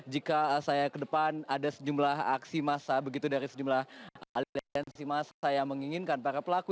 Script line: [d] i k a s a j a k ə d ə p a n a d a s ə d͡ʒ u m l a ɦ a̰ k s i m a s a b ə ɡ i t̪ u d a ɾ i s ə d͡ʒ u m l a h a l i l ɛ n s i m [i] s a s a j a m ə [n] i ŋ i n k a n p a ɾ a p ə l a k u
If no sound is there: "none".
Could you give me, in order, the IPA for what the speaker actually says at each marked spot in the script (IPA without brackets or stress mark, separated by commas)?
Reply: d͡ʒ, a, ŋ